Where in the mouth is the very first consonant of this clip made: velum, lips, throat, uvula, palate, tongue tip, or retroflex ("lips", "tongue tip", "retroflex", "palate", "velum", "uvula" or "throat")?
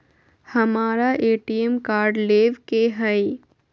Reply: throat